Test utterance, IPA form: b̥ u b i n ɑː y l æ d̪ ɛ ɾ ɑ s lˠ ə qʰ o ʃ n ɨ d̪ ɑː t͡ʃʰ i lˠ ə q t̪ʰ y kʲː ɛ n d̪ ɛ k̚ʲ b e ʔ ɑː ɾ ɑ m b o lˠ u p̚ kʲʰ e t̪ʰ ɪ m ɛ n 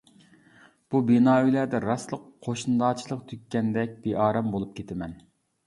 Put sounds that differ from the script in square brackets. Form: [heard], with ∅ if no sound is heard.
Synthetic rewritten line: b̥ u b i n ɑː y l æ d̪ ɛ ɾ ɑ s lˠ ə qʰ o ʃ n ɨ d̪ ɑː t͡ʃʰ i lˠ ə q t̪ʰ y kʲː ɛ n d̪ ɛ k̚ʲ b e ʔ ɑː ɾ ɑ m b o lˠ u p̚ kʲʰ e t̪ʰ ɪ m ɛ n